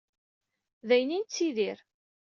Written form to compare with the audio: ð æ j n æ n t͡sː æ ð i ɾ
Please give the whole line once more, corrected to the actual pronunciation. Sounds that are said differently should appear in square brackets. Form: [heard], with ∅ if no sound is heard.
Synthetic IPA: ð æ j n [i] n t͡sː [i] ð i ɾ